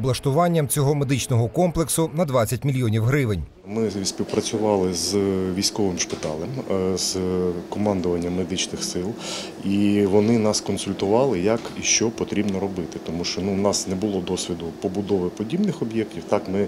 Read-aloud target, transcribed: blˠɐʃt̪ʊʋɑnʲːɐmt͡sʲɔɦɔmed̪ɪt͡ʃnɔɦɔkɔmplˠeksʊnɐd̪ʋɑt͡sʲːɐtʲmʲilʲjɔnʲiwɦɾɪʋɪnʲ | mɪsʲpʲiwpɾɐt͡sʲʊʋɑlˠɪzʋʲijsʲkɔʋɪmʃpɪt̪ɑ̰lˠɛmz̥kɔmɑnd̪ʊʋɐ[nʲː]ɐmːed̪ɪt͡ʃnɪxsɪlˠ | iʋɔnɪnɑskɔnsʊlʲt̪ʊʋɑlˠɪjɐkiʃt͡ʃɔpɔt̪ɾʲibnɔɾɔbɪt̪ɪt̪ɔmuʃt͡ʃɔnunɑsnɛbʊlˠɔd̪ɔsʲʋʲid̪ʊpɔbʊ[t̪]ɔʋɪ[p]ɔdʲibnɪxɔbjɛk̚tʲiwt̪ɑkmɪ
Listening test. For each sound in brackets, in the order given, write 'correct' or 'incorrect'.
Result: correct, incorrect: d̪, correct

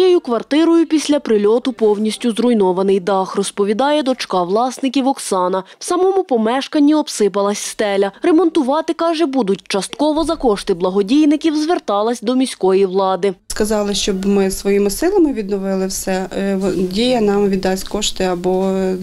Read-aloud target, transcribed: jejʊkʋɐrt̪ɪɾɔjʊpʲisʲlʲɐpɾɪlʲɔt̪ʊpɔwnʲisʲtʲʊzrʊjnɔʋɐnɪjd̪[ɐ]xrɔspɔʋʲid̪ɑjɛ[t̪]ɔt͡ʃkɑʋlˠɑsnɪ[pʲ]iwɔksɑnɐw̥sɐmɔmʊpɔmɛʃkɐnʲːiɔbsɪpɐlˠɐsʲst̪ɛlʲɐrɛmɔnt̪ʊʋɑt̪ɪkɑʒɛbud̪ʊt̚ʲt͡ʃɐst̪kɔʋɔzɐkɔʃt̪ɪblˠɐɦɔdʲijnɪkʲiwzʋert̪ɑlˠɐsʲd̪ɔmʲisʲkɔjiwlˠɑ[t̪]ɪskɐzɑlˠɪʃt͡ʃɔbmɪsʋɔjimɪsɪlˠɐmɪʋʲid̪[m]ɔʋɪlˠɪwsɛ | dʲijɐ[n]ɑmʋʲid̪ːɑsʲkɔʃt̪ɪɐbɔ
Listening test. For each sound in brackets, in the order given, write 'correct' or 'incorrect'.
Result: incorrect: ɑ, incorrect: d̪, incorrect: kʲ, incorrect: d̪, incorrect: n, correct

